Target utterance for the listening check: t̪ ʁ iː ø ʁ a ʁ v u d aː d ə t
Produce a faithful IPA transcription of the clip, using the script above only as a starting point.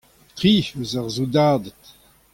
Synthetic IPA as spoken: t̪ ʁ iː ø z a ʁ z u d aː d ə t

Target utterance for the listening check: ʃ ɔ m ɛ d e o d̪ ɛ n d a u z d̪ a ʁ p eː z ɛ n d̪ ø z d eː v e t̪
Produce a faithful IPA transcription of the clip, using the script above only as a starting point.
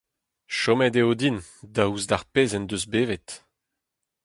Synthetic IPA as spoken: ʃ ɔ m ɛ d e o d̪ i n d a u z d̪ a ʁ p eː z ɛ n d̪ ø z b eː v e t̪

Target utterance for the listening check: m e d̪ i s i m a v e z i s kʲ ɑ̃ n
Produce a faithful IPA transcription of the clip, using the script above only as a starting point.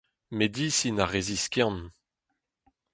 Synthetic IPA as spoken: m e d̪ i s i n a ʁ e z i s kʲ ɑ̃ n

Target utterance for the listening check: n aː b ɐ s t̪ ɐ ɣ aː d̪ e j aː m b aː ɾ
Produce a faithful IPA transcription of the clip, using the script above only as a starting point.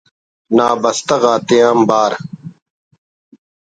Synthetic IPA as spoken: n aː b ɐ s t̪ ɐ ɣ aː t̪ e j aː m b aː ɾ

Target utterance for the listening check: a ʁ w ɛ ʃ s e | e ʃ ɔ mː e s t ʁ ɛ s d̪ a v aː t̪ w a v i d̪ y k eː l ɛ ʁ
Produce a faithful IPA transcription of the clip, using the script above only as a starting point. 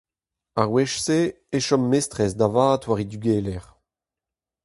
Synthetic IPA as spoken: a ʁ w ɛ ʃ s e | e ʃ ɔ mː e s t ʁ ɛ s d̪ a v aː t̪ w a ʁ i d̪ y ɡ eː l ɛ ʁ

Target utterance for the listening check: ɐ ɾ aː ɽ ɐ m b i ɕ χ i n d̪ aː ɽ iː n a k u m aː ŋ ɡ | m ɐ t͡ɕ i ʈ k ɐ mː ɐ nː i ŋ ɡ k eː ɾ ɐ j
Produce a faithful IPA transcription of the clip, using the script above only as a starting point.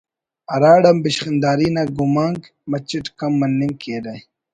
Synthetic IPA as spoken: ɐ ɾ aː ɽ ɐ m b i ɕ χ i n d̪ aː ɾ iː n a ɡ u m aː ŋ ɡ | m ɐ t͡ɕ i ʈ k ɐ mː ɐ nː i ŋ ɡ k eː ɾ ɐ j

